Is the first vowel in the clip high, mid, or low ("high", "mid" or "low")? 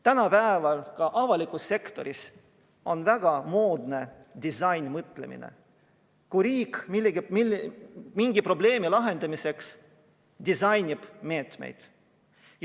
low